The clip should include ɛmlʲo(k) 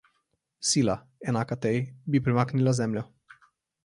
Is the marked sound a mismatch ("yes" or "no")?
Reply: yes